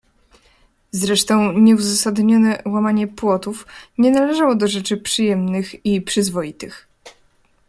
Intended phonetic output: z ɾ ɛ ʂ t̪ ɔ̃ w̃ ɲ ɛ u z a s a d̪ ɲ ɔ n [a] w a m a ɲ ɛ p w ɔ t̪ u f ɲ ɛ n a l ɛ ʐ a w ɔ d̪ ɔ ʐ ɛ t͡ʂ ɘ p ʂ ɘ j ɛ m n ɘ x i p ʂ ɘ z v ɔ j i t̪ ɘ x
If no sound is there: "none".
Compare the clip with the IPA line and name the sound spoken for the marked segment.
ɛ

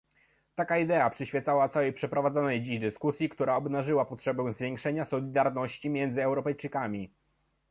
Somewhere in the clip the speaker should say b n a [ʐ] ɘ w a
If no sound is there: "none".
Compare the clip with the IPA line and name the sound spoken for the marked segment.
ʐ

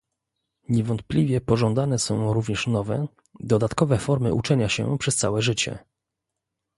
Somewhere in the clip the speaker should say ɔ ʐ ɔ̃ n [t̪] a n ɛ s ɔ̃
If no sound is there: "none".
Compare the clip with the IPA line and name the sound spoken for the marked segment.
d̪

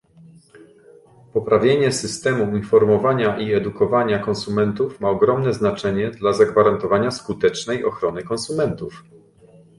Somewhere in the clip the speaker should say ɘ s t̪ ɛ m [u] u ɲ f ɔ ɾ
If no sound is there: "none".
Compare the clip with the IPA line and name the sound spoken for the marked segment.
u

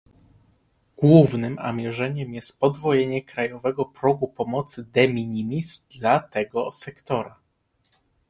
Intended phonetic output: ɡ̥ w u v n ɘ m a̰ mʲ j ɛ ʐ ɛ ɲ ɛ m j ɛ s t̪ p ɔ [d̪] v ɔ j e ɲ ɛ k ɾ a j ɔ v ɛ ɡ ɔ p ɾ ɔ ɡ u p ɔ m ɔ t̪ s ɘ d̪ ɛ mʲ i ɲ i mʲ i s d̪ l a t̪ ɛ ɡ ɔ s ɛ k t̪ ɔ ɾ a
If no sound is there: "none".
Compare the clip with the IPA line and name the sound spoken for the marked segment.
d̪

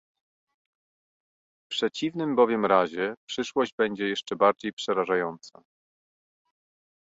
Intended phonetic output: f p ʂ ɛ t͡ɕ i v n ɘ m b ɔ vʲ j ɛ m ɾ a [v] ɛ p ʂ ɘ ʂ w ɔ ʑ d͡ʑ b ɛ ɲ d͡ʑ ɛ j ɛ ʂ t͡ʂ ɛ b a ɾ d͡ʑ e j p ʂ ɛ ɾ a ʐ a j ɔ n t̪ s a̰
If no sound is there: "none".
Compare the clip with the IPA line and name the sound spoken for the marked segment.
ʑ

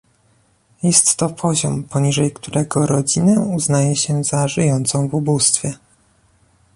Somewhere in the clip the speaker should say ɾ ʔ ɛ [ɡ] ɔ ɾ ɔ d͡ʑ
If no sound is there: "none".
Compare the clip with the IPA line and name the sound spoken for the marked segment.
ɡ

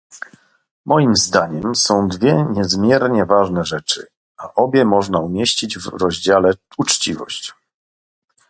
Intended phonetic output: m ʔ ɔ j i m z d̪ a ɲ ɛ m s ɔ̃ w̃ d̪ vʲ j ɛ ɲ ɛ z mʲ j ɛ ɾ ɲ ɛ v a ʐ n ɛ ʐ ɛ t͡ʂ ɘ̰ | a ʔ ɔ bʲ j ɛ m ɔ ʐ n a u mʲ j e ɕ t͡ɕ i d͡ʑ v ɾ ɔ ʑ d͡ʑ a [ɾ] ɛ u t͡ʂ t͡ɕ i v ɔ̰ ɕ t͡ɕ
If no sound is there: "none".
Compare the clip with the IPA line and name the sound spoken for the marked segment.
l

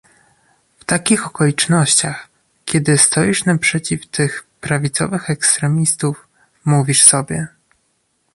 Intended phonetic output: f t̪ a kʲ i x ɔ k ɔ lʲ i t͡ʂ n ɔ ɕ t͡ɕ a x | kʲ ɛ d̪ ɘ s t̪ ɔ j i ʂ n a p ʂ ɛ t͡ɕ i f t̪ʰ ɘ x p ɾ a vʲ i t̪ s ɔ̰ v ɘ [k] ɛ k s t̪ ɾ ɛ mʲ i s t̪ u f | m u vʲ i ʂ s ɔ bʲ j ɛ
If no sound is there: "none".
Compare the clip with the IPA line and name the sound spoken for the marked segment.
x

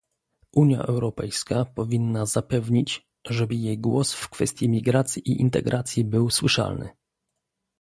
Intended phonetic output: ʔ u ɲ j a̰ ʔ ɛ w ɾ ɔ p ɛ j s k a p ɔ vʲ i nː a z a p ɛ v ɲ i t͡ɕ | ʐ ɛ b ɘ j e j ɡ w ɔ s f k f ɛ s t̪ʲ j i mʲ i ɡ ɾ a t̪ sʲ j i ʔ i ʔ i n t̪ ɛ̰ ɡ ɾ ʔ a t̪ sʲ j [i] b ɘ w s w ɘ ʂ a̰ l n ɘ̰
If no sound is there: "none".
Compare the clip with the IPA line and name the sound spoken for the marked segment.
i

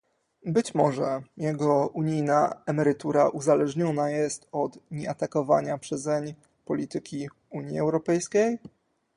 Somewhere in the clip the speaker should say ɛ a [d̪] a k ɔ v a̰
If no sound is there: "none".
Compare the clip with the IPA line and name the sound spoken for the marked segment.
t̪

